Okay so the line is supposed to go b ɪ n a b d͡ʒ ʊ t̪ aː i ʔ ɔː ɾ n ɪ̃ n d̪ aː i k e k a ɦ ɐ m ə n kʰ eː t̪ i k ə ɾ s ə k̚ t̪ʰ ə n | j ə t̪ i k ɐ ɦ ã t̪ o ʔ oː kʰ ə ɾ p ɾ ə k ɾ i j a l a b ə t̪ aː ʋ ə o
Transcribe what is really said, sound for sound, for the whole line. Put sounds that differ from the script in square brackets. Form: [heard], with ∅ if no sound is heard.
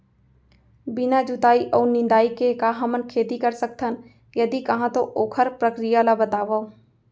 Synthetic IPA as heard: b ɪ n a [∅] d͡ʒ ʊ t̪ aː i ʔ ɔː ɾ n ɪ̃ n d̪ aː i k e k a ɦ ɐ m ə n kʰ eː t̪ i k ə ɾ s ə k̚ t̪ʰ ə n | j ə [d̪] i k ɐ ɦ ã t̪ o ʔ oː kʰ ə ɾ p ɾ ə k ɾ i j a l a b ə t̪ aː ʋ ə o